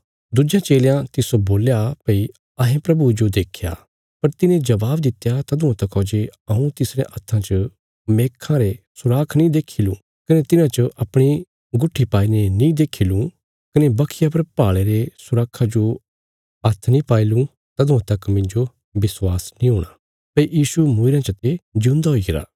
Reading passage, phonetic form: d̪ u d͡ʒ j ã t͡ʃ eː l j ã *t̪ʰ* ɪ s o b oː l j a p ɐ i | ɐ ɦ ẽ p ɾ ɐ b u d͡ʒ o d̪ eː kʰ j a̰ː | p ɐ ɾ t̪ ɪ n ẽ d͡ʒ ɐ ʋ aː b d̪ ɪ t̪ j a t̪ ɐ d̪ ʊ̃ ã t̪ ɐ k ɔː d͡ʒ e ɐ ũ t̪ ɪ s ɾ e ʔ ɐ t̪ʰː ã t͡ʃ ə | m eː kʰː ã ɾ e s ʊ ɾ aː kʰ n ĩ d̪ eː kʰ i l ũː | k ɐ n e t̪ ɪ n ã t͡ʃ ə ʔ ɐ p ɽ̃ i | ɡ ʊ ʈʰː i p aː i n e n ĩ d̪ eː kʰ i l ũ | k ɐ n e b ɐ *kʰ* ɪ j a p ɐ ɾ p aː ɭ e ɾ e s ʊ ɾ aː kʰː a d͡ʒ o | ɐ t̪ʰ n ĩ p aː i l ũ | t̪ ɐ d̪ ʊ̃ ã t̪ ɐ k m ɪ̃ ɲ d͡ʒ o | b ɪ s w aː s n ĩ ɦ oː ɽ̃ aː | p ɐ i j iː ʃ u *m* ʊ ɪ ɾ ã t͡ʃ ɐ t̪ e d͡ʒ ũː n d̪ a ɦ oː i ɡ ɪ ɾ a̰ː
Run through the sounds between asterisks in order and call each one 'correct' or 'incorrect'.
incorrect, correct, correct

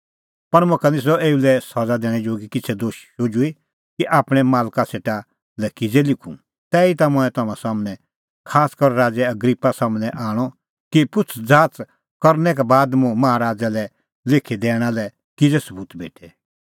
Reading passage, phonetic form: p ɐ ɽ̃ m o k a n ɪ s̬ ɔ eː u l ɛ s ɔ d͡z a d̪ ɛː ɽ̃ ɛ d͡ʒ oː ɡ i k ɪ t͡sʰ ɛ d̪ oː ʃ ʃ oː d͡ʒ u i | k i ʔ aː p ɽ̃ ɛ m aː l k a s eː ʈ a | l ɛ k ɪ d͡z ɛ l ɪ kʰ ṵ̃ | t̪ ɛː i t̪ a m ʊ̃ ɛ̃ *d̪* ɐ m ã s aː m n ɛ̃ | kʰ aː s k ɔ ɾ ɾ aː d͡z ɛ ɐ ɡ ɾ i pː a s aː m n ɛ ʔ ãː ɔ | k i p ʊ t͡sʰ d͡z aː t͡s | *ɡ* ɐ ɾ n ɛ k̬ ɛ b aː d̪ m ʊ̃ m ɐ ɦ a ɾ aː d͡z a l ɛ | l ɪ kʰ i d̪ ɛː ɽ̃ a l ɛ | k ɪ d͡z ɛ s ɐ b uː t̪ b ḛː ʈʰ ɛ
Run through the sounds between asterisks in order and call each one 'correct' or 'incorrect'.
incorrect, incorrect

